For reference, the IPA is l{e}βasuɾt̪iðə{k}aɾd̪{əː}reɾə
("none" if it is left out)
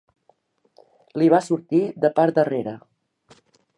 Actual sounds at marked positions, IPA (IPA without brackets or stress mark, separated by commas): i, p, ə